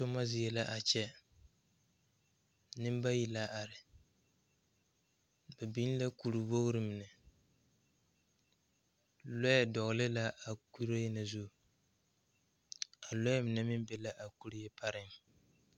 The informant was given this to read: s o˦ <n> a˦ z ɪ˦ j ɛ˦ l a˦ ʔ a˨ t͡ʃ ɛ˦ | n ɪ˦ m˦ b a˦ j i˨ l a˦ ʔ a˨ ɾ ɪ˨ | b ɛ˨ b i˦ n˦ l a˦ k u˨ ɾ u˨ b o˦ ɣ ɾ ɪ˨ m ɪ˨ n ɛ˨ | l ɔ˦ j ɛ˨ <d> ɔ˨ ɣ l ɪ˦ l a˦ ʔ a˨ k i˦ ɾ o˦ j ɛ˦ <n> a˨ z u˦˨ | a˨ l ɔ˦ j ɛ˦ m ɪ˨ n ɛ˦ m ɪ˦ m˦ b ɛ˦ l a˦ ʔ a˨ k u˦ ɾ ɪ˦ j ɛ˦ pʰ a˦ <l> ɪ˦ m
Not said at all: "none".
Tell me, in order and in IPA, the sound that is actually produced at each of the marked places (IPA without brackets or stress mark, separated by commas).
m, d, n, ɾ